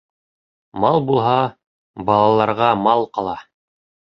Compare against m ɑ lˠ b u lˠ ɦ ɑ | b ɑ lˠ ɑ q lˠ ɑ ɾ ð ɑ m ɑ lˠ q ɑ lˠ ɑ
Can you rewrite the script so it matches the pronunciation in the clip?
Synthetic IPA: m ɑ lˠ b u lˠ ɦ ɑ | b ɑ lˠ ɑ lˠ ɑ ɾ ʁ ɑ m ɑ lˠ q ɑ lˠ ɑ